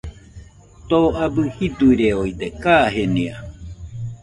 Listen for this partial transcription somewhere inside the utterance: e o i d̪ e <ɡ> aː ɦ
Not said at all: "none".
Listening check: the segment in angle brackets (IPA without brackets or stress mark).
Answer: k